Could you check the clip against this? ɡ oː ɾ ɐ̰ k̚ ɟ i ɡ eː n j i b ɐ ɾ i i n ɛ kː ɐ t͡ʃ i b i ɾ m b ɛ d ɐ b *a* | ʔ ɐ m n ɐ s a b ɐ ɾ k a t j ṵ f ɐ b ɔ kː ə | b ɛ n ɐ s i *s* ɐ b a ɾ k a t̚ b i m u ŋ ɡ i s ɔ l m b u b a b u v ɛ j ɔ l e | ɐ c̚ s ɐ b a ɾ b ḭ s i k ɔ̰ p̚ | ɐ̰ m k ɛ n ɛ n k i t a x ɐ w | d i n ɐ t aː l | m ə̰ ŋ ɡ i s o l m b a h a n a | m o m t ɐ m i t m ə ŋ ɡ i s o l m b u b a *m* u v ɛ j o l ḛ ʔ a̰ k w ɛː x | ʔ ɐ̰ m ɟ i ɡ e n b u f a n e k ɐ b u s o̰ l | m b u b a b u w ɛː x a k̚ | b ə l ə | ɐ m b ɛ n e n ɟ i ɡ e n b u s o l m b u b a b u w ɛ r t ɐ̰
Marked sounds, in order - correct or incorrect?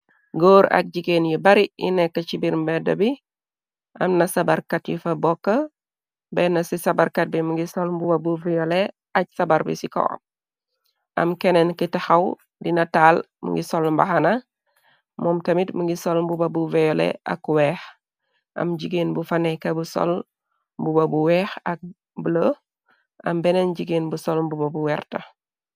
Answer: incorrect, correct, incorrect

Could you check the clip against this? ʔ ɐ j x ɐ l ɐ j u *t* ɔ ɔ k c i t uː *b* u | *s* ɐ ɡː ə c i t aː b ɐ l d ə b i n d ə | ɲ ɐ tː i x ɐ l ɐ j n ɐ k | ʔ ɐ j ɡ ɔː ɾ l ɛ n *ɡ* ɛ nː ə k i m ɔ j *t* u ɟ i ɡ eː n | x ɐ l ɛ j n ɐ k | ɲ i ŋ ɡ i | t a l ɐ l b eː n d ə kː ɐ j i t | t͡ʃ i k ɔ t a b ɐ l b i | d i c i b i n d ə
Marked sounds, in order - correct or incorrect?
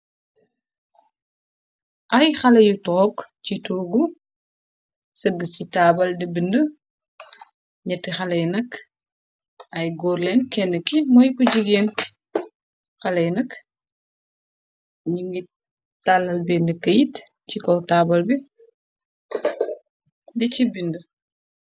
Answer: correct, incorrect, correct, incorrect, incorrect

